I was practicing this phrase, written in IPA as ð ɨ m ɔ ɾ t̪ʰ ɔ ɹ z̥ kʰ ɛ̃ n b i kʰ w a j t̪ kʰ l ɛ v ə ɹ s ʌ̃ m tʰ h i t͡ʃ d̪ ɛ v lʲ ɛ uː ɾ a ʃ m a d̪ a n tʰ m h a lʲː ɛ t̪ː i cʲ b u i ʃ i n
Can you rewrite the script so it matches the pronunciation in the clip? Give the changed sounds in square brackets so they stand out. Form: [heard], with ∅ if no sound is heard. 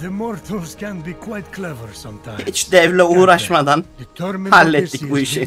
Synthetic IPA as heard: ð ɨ m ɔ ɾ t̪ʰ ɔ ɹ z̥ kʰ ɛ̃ n b i kʰ w a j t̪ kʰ l ɛ v ə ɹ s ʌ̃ m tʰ h i t͡ʃ d̪ ɛ v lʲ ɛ uː ɾ a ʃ m a d̪ a n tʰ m h a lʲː ɛ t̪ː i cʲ b u i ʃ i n